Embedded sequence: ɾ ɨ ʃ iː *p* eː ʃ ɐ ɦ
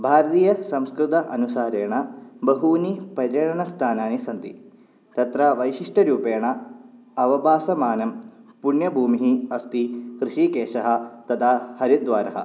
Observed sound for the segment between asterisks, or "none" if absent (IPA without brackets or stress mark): k